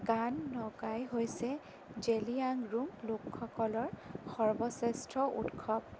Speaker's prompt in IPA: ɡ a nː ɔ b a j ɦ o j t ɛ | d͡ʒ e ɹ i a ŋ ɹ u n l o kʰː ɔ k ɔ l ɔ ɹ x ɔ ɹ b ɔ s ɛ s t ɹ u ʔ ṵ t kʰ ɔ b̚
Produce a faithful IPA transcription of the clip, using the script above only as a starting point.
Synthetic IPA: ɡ a nː ɔ ɡ a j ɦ o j s ɛ | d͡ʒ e l i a ŋ ɹ u m l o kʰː ɔ k ɔ l ɔ ɹ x ɔ ɹ b ɔ s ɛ s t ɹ ɔ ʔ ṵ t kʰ ɔ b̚